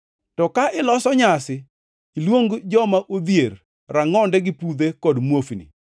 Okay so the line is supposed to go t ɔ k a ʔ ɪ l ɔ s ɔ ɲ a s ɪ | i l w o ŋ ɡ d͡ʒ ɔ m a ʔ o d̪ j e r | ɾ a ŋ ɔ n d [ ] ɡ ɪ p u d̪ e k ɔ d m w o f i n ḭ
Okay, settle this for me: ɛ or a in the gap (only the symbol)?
ɛ